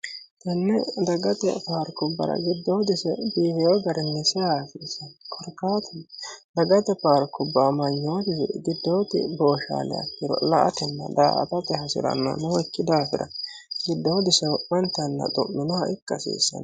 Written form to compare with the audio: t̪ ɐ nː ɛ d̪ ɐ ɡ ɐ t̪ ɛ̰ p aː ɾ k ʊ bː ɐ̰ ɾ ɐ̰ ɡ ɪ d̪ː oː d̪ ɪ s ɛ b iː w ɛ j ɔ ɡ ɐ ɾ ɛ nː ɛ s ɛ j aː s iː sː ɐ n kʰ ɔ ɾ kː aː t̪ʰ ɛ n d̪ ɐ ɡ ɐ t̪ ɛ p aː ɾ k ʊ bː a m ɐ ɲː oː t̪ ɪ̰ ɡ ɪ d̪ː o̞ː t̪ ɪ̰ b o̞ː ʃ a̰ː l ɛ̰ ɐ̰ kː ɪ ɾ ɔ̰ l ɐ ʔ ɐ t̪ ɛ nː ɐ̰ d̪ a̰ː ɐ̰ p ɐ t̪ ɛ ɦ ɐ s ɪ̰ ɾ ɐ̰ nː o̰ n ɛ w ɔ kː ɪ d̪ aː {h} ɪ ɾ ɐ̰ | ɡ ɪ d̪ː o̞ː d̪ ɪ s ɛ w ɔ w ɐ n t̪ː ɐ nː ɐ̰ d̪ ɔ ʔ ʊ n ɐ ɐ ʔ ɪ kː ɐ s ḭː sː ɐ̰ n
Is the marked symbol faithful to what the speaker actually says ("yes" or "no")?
no